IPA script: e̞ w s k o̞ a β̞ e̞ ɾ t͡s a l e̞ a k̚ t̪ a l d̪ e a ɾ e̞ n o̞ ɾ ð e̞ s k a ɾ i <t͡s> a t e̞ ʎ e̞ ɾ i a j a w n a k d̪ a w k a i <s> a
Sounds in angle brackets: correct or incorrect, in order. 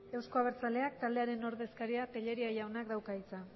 incorrect, incorrect

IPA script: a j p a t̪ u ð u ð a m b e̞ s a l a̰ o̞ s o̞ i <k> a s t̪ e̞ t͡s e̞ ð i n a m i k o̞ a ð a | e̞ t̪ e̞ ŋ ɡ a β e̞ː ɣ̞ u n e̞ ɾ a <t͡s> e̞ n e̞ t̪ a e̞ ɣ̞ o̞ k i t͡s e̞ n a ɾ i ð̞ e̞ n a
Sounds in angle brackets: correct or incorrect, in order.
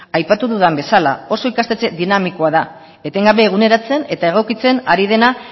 correct, correct

